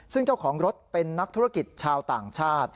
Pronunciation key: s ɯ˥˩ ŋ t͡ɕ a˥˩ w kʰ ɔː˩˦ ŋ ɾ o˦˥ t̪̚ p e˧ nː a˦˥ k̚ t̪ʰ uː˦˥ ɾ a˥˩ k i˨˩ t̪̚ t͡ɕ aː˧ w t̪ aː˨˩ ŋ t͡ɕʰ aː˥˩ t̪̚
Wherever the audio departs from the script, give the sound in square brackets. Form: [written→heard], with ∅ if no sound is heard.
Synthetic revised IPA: s ɯ˥˩ ŋ t͡ɕ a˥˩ w kʰ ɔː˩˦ ŋ ɾ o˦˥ t̪̚ p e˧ nː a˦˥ k̚ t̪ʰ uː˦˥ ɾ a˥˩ k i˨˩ t̪̚ [t͡ɕ→t͡ɕʰ] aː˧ w t̪ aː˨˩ ŋ t͡ɕʰ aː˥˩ t̪̚